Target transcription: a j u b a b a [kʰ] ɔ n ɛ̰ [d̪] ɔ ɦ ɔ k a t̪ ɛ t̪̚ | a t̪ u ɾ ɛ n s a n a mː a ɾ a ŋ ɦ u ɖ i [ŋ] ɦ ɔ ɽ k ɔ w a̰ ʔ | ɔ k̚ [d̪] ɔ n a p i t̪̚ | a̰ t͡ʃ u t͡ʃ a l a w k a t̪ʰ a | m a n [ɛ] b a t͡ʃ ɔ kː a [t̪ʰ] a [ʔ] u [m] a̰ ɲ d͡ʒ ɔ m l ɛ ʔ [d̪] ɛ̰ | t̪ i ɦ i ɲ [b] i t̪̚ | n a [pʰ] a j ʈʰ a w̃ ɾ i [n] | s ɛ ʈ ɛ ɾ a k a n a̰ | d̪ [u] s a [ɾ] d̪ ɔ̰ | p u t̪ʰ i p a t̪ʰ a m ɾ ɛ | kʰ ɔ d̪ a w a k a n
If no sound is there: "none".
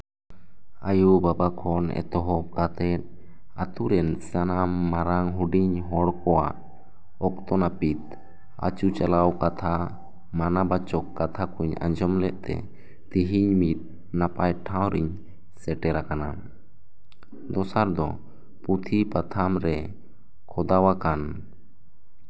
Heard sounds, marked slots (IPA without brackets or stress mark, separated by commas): kʰ, t̪, ɲ, t̪, a, t̪ʰ, k, ɲ, t̪, m, p, ɲ, ɔ, ɾ